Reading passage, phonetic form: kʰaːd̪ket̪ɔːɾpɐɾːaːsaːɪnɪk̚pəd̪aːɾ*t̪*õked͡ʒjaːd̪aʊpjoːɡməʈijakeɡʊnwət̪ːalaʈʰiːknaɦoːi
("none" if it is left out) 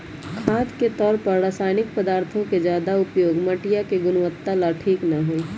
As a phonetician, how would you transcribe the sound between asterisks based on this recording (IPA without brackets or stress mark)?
t̪ʰ